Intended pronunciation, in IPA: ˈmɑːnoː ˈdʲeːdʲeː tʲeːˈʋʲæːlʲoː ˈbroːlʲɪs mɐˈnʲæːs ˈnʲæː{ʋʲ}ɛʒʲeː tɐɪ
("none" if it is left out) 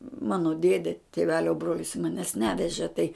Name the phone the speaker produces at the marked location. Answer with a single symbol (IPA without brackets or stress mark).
ʋʲ